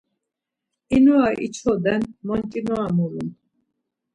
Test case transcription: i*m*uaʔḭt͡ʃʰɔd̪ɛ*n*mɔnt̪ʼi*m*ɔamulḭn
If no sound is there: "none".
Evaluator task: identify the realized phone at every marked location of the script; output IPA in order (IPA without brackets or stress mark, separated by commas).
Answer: n, n, n